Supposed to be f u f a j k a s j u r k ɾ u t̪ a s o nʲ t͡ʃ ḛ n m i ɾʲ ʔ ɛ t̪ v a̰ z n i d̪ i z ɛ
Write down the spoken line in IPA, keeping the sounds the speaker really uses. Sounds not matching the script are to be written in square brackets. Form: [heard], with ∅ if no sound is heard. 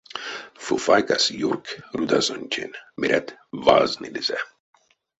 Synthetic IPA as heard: f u f a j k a s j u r k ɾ u [d̪] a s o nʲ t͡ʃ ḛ n m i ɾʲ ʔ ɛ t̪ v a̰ z n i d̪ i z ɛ